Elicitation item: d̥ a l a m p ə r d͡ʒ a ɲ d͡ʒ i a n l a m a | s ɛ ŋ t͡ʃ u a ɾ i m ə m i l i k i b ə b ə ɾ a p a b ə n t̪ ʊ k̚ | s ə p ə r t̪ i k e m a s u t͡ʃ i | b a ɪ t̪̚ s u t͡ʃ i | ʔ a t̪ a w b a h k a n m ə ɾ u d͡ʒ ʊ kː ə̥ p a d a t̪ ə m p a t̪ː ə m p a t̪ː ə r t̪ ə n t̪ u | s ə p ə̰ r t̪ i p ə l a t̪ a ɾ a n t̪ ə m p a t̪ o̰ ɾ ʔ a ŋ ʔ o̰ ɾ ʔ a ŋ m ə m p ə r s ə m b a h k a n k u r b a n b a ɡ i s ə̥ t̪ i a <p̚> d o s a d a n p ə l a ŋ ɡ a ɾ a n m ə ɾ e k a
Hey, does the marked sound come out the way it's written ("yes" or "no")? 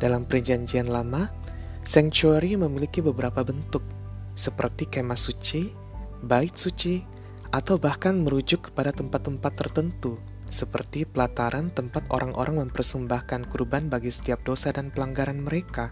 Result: yes